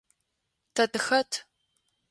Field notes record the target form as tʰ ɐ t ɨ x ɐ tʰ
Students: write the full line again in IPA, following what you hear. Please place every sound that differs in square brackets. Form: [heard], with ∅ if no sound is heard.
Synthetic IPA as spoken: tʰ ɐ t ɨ x ɐ tʰ